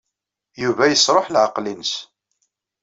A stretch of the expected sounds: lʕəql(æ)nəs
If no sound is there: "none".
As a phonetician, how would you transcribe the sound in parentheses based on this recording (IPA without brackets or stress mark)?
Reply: i